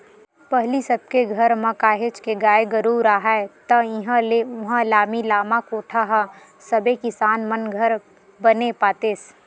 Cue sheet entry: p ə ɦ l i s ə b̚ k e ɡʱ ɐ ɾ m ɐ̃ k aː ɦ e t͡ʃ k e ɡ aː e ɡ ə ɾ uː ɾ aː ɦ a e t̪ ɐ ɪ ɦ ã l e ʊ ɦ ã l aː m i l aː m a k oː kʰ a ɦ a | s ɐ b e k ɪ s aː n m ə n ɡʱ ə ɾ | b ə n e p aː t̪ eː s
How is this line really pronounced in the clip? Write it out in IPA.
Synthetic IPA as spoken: p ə ɦ l i s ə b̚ k e ɡʱ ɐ ɾ m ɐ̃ k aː ɦ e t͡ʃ k e ɡ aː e ɡ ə ɾ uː ɾ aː ɦ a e t̪ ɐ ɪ ɦ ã l e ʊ ɦ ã l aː m i l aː m a k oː ʈʰ a ɦ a | s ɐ b e k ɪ s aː n m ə n ɡʱ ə ɾ | b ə n e p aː t̪ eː s